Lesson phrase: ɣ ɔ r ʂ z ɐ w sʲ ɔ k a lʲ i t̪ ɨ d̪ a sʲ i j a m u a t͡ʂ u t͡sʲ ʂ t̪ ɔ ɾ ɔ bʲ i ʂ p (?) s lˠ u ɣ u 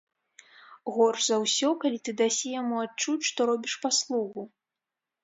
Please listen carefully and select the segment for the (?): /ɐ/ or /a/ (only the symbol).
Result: a